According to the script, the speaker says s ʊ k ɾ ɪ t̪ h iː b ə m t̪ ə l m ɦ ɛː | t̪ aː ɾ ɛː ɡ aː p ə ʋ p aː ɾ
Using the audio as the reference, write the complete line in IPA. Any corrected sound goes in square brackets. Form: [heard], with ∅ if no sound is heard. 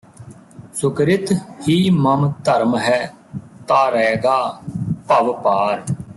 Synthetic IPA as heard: s ʊ k ɾ ɪ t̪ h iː [m] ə m t̪ ə [ɾ] m ɦ ɛː | t̪ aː ɾ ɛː ɡ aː p ə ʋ p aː ɾ